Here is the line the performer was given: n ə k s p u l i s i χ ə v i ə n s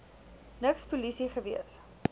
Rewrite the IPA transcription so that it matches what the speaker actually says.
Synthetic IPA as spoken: n ə k s p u l i s i χ ə v i ə s